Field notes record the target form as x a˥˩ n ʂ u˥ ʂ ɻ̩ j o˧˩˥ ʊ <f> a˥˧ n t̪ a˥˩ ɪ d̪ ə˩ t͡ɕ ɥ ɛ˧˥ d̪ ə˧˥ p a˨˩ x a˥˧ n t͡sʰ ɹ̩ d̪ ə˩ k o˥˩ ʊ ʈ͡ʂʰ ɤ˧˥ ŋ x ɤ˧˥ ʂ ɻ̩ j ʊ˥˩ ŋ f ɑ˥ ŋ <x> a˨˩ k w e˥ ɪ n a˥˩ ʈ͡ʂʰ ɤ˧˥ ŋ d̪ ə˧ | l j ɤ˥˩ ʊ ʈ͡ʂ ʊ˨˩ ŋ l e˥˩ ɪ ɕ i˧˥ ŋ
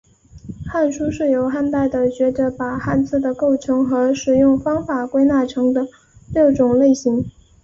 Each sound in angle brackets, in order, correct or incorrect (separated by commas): incorrect, incorrect